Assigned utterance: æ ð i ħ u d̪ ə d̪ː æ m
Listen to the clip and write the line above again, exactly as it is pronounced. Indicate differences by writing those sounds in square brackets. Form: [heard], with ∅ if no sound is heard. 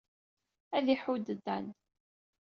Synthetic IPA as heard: æ ð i ħ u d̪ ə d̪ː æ [n]